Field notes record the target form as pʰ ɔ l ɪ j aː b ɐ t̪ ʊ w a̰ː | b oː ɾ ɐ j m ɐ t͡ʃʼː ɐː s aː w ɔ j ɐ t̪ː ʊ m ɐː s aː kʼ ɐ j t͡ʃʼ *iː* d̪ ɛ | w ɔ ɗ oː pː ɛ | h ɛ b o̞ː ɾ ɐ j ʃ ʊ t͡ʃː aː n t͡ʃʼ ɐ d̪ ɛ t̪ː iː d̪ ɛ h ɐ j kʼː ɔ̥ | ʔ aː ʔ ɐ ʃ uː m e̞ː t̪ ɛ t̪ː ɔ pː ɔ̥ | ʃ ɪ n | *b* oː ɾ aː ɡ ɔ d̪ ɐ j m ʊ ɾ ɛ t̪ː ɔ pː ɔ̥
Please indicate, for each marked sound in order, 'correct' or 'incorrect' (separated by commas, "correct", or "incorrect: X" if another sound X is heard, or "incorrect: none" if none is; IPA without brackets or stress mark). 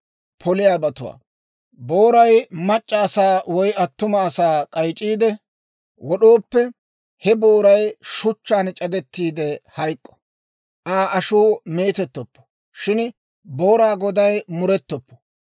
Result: correct, correct